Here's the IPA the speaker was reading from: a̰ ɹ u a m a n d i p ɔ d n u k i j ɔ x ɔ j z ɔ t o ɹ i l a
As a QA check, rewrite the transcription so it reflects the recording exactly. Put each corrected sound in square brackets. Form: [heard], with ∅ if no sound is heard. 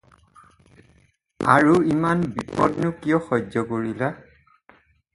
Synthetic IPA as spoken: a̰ ɹ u [i] m a n [b] i p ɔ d n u k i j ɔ x ɔ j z ɔ [k] o ɹ i l a